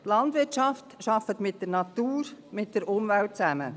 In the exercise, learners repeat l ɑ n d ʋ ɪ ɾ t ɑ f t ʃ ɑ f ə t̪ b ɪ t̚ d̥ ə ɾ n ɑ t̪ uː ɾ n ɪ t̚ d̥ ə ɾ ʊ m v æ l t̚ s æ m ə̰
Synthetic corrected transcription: l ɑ n d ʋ ɪ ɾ t͡ʃ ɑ f t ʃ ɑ f ə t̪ m ɪ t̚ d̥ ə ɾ n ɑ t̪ uː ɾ m ɪ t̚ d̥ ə ɾ ʊ m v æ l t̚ t͡s æ m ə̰

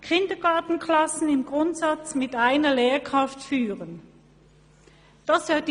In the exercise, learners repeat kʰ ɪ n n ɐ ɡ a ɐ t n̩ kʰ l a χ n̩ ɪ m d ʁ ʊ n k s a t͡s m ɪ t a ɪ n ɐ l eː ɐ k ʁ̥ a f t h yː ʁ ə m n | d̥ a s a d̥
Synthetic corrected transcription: kʰ ɪ n d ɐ ɡ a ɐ t n̩ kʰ l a s n̩ ɪ m ɡ ʁ ʊ n t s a t͡s m ɪ t a ɪ n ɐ l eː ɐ k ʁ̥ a f t f yː ʁ ə n | d̥ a s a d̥

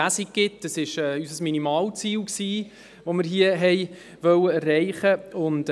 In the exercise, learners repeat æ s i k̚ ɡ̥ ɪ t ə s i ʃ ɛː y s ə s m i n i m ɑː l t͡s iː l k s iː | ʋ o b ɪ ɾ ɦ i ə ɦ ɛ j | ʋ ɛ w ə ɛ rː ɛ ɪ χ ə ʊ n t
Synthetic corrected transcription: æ s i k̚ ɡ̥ ɪ t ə s ɪ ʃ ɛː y s ə s m i n i m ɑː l t͡s iː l k s iː | ʋ o m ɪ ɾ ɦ i ə ɦ ɛ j | ʋ œ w ə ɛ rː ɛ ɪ χ ə ʊ n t

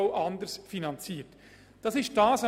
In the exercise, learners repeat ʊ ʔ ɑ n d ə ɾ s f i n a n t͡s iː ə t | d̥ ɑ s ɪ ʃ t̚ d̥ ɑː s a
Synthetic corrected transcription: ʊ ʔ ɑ n d ə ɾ s f i n ɑ n t͡s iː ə t | d̥ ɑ s ɪ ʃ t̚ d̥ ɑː s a

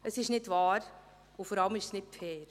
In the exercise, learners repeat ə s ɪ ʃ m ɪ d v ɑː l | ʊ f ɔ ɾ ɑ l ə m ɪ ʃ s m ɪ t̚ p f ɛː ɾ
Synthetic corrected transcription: ə s ɪ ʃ n ɪ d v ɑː ɾ | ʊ f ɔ ɾ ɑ l ə m ɪ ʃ s n ɪ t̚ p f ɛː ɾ

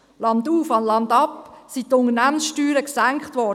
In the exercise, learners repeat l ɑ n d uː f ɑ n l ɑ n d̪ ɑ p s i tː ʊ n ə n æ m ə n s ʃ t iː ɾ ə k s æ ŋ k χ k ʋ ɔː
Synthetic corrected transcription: l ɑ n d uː f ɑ n l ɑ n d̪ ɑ p s i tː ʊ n ə n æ m ə n s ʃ t yː ɾ ə k s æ ŋ k χ t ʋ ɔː

